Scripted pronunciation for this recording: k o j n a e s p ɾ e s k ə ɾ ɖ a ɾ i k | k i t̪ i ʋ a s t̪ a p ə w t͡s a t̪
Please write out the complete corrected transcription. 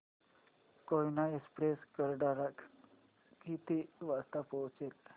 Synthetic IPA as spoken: k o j n a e s p ɾ e s k ə ɾ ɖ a ɾ a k | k i t̪ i ʋ a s t̪ a p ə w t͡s e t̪